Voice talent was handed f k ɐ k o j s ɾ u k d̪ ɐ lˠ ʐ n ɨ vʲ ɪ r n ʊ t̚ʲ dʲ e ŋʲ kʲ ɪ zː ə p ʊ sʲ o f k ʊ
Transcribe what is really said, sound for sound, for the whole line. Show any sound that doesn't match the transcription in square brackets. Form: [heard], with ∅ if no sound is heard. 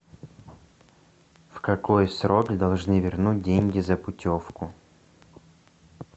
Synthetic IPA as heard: f k ɐ k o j s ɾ [o] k d̪ ɐ lˠ ʐ n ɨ vʲ ɪ r n [u] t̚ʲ dʲ e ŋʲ [ɡʲ] ɪ [z] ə p ʊ [tʲ] o f k ʊ